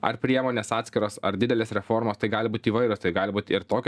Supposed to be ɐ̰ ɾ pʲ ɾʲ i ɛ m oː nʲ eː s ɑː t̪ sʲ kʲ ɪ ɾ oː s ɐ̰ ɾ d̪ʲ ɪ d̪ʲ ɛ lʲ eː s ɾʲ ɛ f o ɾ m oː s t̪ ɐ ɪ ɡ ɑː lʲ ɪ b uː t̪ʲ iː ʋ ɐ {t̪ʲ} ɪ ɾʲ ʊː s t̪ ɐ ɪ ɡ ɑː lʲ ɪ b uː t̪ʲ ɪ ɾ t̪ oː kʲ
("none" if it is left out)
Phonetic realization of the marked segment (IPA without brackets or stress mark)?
none